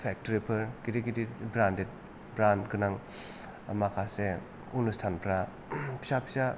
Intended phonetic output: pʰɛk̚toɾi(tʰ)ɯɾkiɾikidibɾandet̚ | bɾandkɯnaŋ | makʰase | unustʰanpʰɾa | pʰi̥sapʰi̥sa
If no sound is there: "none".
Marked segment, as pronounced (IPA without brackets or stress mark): pʰ